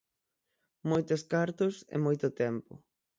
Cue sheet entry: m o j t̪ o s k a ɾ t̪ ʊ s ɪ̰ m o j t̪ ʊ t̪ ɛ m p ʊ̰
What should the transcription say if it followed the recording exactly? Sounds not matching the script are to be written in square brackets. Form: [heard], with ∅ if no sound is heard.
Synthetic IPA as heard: m o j t̪ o s k a ɾ t̪ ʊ s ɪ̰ m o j t̪ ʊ t̪ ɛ m p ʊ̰